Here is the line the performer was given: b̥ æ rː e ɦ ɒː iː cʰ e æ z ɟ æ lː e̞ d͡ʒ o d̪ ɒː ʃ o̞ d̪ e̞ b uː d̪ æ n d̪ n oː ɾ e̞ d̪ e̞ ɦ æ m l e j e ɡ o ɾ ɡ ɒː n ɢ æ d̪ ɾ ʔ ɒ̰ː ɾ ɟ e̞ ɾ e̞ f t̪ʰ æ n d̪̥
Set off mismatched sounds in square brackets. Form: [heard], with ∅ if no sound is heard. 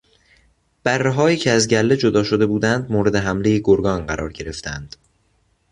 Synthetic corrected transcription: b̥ æ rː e ɦ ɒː iː cʰ e æ z ɟ æ lː e̞ d͡ʒ o d̪ ɒː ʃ o̞ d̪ e̞ b uː d̪ æ n d̪ [m] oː ɾ e̞ d̪ e̞ ɦ æ m l e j e ɡ o ɾ ɡ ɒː n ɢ æ [∅] ɾ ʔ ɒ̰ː ɾ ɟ e̞ ɾ e̞ f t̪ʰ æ n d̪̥